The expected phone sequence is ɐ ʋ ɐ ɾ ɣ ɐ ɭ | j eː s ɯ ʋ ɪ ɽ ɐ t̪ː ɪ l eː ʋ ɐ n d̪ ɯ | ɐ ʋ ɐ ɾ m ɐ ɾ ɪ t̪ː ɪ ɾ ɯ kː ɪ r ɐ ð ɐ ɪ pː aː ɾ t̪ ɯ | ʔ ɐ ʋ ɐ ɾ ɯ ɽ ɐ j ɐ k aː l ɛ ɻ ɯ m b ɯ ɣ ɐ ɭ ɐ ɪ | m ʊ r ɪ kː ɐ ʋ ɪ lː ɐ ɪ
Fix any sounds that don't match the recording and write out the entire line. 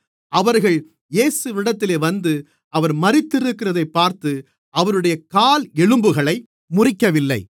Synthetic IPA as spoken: ɐ ʋ ɐ ɾ ɣ ɐ ɭ | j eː s ɯ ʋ ɪ ɽ ɐ t̪ː ɪ l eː ʋ ɐ n d̪ ɯ | ɐ ʋ ɐ ɾ m ɐ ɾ ɪ t̪ː ɪ ɾ ɯ kː ɪ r ɐ ð ɐ ɪ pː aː ɾ t̪ ɯ | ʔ ɐ ʋ ɐ ɾ ɯ ɽ ɐ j ɐ k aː l ɛ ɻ ɯ m b ɯ ɣ ɐ ɭ ɐ ɪ | m ʊ r ɪ kː ɐ ʋ ɪ lː ɐ ɪ